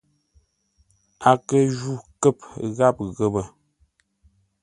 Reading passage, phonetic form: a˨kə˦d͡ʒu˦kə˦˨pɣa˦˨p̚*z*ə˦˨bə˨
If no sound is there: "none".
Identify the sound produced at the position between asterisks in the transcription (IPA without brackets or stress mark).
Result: ɣ